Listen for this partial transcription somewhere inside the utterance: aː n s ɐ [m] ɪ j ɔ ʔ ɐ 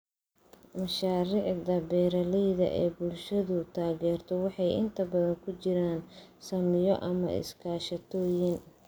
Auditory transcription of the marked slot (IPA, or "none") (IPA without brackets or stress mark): m